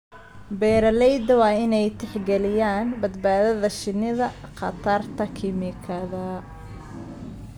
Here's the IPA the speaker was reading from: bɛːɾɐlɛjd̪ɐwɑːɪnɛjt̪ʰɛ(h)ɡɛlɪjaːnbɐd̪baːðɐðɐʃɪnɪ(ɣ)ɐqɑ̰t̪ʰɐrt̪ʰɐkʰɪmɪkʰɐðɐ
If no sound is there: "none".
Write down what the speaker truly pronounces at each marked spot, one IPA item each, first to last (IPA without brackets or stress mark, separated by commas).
ħ, ð